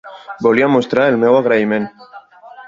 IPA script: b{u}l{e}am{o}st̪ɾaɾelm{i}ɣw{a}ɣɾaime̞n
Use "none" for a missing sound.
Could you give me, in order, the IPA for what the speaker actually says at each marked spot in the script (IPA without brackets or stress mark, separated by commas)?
o, i, o, e, a